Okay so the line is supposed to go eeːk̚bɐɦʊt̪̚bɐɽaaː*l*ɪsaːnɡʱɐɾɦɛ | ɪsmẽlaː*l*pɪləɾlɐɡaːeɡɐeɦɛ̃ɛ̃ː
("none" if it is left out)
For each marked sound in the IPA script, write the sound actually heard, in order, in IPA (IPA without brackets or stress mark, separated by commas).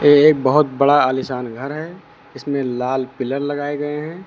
l, l